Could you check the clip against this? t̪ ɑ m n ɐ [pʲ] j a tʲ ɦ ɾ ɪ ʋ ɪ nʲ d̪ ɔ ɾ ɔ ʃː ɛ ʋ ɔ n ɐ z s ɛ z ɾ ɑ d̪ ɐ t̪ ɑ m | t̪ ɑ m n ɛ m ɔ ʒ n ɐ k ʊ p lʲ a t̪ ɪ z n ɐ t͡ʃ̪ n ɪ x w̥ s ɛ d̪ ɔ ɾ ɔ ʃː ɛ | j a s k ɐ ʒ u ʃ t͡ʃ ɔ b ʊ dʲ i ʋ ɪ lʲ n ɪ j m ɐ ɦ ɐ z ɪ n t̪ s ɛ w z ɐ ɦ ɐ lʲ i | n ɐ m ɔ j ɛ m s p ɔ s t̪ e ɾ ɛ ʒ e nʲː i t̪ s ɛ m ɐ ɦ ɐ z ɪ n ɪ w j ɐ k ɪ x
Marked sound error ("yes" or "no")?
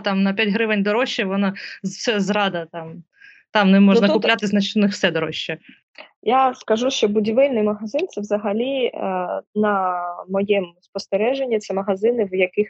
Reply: no